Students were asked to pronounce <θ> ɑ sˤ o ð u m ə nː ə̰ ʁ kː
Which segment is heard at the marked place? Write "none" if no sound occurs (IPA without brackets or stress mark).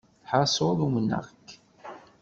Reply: ħ